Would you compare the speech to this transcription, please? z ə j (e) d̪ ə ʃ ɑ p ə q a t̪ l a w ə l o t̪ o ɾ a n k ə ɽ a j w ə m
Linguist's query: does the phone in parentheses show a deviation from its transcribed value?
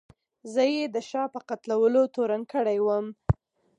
no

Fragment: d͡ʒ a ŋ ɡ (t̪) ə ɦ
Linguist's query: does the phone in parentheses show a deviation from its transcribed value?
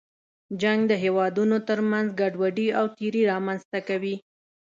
yes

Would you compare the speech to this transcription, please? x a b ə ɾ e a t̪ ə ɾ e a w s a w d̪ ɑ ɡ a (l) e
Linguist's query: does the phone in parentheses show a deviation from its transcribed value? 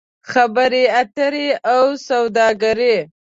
yes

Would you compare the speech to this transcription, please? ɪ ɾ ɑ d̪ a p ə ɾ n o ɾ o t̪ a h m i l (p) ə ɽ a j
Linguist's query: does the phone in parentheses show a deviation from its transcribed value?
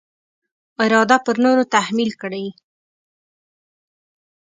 yes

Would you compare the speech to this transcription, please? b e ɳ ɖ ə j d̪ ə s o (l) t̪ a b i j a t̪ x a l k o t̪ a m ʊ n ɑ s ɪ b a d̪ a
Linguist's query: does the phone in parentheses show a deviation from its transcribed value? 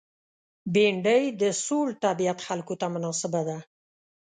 no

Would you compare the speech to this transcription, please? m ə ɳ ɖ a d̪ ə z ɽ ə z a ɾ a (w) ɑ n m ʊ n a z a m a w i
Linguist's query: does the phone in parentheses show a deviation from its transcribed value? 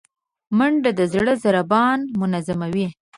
yes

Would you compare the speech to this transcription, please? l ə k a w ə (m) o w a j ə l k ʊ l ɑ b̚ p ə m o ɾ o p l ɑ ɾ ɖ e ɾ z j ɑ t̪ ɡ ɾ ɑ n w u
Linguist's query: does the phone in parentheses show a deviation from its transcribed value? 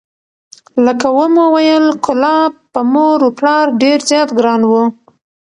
no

